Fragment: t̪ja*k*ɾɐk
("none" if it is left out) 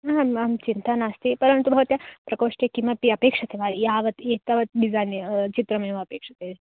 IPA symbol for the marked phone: p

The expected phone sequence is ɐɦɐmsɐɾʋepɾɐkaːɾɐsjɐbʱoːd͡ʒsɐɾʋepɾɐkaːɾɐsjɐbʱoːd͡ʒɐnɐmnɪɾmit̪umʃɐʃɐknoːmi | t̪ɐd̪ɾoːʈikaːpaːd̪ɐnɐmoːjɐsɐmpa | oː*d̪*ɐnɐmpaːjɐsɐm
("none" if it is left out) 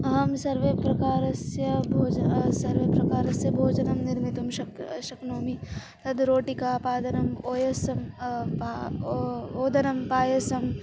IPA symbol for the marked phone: d̪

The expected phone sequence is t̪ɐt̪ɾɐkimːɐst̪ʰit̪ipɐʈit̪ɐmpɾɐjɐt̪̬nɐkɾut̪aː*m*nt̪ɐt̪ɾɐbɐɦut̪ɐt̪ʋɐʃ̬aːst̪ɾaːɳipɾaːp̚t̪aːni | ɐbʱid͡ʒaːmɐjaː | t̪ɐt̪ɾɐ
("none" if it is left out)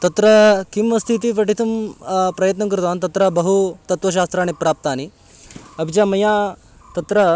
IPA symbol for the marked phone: none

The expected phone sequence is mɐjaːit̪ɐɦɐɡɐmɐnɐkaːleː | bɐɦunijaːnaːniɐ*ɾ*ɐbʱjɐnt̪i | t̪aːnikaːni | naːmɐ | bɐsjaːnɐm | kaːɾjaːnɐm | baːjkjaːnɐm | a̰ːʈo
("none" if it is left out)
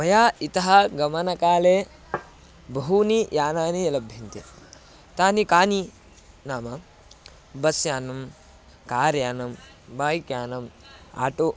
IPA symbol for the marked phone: l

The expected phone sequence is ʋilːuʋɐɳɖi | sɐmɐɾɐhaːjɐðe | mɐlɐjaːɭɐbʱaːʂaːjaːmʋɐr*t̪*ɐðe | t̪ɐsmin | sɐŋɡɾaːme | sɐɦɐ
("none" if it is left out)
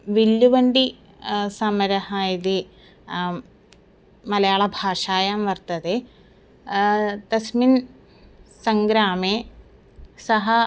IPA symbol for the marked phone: t̪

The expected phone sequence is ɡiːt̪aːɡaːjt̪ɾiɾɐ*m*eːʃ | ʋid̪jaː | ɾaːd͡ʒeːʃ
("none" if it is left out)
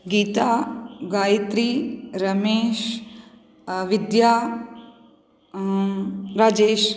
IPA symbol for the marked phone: m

